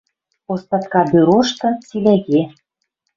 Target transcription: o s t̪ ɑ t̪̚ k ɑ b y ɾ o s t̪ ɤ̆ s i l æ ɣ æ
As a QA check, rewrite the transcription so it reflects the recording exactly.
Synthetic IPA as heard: o s t̪ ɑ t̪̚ k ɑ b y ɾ o ʃ t̪ ɤ̆ t͡s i l æ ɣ e